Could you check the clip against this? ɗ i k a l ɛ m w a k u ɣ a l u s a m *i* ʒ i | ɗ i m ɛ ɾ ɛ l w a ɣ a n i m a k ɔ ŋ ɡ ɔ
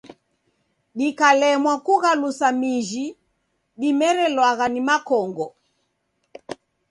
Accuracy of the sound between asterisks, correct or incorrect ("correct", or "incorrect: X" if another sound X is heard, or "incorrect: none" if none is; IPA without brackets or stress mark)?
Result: correct